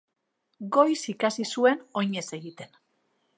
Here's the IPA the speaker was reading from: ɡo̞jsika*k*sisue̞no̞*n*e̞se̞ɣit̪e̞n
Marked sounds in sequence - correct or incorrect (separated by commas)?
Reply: incorrect, incorrect